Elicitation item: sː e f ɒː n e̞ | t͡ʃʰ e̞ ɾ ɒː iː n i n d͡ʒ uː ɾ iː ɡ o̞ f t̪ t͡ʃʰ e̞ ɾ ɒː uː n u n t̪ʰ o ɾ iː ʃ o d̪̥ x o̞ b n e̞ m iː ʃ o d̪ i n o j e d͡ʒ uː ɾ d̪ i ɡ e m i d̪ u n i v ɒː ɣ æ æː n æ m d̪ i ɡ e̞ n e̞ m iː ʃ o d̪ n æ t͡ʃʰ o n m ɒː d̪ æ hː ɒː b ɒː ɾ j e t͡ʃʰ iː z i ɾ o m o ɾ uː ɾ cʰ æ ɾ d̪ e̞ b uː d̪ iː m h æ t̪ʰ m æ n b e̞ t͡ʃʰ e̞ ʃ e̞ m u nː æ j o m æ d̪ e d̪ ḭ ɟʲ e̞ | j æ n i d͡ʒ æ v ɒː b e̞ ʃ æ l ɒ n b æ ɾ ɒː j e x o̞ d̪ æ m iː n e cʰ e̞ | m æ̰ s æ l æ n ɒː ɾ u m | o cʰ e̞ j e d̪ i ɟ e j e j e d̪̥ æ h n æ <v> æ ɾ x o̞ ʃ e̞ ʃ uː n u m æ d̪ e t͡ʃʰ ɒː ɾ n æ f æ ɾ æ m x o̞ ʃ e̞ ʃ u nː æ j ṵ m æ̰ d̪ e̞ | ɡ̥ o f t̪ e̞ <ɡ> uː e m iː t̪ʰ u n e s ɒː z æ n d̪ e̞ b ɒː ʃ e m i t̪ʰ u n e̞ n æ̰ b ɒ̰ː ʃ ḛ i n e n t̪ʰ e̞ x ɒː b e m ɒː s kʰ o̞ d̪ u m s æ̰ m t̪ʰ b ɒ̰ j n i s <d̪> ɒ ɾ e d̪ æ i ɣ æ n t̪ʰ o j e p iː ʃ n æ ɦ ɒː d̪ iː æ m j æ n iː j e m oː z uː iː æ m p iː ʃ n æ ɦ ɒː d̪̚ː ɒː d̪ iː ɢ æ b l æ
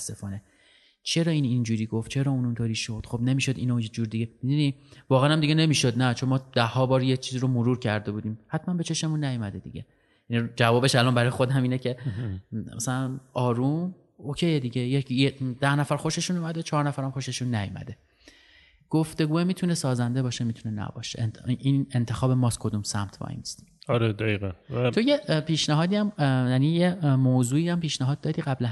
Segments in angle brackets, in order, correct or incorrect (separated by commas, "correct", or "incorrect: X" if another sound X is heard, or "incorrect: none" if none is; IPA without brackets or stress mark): incorrect: f, correct, incorrect: t̪